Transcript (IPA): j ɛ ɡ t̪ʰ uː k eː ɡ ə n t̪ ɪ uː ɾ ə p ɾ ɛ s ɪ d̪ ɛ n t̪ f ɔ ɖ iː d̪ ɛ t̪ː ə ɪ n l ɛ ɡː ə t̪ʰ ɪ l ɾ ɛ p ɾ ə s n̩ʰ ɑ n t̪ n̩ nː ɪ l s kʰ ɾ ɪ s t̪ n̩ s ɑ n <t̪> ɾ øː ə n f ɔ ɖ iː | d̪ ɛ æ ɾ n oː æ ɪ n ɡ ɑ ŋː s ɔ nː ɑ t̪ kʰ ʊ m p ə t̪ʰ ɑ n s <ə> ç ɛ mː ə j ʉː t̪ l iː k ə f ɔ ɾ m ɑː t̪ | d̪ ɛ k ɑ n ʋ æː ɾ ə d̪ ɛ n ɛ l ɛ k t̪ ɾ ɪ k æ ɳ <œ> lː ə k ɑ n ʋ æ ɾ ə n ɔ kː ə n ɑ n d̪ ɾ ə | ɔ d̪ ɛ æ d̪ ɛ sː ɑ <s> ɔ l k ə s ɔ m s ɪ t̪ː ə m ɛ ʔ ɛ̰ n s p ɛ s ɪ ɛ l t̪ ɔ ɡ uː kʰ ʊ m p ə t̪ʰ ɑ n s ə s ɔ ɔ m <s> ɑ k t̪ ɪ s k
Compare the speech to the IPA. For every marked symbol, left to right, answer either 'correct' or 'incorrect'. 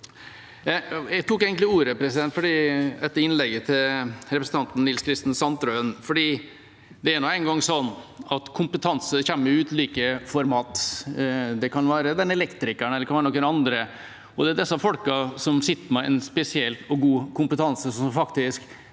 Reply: correct, correct, incorrect: ɛ, incorrect: f, incorrect: f

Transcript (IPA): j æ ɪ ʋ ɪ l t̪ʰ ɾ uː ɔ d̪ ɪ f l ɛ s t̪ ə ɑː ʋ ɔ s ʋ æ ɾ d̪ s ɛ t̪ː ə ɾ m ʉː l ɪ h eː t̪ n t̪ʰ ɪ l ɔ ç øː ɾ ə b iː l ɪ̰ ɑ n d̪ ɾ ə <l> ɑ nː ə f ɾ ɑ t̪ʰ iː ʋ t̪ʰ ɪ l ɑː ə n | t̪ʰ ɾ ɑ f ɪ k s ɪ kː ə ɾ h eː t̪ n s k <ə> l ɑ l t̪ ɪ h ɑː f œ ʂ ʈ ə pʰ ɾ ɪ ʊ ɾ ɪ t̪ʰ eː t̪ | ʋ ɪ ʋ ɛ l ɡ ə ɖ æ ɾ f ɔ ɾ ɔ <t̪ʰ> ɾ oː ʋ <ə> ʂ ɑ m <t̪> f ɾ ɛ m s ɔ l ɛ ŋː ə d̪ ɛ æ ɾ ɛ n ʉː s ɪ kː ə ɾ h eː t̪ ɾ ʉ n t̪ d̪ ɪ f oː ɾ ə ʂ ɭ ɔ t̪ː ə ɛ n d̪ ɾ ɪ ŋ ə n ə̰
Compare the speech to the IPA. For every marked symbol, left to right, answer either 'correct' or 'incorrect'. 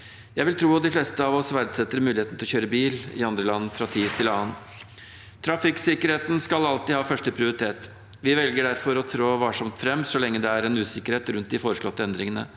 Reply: correct, incorrect: ɑ, correct, incorrect: ɑ, correct

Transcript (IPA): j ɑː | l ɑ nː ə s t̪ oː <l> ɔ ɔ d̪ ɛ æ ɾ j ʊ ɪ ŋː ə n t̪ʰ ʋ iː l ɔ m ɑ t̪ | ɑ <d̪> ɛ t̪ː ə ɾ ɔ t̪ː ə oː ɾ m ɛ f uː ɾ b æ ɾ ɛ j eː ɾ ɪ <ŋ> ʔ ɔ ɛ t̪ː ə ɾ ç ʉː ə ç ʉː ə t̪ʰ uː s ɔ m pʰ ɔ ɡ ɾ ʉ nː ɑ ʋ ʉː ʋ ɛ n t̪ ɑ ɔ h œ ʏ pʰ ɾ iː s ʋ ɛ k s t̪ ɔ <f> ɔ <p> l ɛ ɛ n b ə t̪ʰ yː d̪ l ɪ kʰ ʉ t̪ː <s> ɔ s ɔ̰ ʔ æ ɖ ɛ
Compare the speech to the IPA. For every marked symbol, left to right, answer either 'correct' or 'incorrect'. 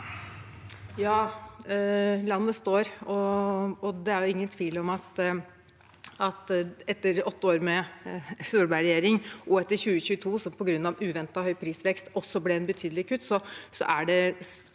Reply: incorrect: ɾ, incorrect: t̪, correct, incorrect: s, incorrect: b, correct

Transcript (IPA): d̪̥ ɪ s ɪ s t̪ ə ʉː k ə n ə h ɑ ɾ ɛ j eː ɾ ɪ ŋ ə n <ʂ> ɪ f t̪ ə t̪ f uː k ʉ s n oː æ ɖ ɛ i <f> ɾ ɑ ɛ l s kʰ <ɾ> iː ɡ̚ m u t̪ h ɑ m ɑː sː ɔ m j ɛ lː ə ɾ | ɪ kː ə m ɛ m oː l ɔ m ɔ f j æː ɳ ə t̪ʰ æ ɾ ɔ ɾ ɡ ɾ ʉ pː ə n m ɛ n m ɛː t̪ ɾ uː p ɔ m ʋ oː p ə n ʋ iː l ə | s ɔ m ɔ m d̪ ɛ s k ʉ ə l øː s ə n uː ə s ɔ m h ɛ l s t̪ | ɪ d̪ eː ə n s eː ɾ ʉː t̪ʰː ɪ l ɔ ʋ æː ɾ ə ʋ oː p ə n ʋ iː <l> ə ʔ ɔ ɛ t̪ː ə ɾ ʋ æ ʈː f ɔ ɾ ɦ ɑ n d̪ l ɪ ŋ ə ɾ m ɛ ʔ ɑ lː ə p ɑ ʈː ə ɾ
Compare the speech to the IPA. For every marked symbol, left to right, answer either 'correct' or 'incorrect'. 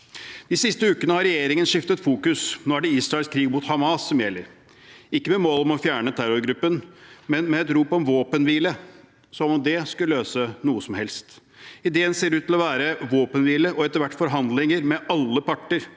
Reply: correct, incorrect: s, correct, correct

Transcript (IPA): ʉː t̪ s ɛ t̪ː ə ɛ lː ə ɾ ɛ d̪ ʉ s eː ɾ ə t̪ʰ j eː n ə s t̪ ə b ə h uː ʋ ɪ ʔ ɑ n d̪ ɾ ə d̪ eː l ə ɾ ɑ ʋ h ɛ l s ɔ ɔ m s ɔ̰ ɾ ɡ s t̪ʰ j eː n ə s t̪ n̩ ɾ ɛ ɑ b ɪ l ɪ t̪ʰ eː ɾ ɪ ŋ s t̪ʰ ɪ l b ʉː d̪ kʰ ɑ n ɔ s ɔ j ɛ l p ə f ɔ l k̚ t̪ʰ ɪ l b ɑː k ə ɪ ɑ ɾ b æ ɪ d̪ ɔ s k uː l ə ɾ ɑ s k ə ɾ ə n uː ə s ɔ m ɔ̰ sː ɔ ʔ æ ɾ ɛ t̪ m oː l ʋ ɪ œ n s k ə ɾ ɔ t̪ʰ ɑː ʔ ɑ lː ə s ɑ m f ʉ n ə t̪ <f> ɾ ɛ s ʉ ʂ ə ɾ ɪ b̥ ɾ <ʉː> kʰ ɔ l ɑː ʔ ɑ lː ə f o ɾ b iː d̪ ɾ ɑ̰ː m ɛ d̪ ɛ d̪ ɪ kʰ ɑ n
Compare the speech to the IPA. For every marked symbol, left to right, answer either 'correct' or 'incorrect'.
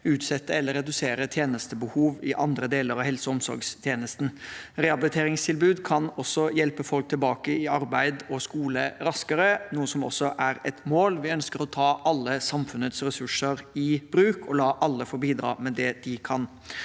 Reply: incorrect: s, correct

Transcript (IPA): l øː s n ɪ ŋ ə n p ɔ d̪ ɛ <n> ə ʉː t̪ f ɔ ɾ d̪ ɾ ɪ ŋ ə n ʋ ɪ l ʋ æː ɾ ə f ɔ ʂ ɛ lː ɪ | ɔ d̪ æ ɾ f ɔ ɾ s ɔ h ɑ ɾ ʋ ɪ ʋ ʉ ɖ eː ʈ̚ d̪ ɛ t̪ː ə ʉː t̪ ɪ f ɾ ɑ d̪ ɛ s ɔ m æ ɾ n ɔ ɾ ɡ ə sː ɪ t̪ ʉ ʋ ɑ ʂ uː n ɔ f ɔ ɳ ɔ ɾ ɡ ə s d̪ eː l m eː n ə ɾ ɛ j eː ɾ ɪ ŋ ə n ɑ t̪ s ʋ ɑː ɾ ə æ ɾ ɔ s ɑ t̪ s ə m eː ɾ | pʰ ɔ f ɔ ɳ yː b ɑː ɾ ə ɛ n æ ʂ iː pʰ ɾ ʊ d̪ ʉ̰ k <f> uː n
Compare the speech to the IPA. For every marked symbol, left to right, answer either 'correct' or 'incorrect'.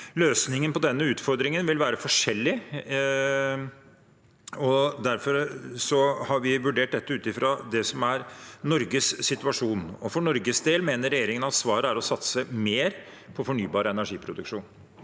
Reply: incorrect: nː, incorrect: ʂ

